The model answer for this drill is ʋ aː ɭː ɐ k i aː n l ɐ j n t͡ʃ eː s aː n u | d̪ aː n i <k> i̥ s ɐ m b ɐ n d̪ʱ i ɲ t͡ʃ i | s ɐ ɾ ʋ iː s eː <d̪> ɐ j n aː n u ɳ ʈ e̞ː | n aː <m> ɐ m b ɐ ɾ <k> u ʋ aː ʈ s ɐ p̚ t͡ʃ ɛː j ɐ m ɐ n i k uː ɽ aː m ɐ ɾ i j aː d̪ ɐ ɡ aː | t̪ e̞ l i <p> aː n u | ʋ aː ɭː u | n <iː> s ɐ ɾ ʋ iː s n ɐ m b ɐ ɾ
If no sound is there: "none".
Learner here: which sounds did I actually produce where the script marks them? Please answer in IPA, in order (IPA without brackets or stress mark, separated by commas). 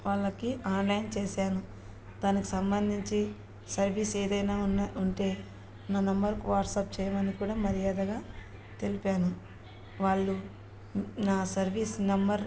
k, d̪, n, k, p, aː